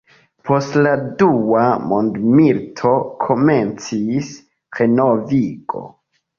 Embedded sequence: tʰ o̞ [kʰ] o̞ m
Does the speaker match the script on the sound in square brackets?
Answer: yes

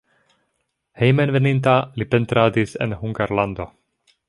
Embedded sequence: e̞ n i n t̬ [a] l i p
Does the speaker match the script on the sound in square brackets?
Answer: yes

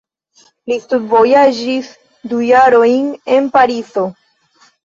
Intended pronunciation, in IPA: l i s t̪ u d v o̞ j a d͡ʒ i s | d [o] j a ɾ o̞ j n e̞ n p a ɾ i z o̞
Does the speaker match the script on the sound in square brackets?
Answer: no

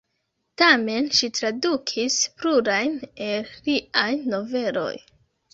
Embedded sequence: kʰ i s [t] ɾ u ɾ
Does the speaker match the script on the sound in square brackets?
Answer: no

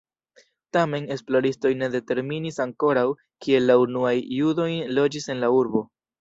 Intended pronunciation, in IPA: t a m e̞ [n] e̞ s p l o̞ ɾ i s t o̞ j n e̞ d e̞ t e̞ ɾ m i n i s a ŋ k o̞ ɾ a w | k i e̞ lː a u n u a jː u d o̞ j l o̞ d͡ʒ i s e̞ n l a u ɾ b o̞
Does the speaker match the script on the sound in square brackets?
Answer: yes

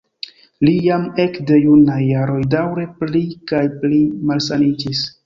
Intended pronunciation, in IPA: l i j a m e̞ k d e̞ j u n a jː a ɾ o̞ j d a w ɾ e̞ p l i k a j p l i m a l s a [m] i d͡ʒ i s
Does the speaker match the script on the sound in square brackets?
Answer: no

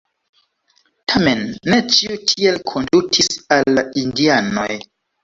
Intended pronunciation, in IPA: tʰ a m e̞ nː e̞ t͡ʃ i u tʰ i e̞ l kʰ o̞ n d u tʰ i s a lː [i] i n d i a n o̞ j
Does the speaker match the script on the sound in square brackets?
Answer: no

